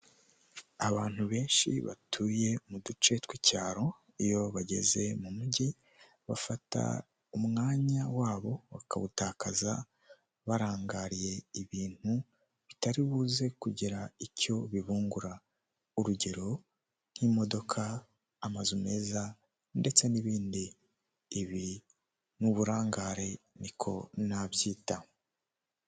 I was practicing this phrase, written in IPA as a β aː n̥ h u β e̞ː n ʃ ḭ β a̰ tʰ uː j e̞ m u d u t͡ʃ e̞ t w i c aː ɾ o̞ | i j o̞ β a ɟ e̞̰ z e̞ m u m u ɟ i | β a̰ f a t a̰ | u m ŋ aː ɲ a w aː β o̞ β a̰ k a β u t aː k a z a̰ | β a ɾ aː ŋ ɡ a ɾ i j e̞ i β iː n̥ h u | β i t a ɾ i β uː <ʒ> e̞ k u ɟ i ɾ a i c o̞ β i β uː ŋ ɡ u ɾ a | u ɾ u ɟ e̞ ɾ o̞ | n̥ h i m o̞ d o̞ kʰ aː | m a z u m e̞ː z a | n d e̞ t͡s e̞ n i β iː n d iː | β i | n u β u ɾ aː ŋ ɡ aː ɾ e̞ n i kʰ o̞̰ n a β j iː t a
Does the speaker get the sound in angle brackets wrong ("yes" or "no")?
yes